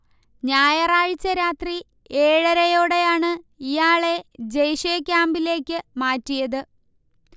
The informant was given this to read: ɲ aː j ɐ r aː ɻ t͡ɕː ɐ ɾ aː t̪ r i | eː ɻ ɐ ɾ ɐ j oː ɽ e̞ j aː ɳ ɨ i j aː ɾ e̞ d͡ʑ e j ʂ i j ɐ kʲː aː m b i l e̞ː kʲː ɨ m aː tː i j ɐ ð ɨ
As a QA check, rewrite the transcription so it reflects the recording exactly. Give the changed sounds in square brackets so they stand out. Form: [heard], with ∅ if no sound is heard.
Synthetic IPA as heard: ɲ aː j ɐ r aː ɻ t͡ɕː ɐ ɾ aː t̪ r i | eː ɻ ɐ ɾ ɐ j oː ɽ e̞ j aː ɳ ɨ i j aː [ɭ] e̞ d͡ʑ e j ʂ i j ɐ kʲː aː m b i l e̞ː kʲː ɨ m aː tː i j ɐ ð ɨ